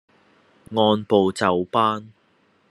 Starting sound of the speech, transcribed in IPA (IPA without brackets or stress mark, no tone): ŋ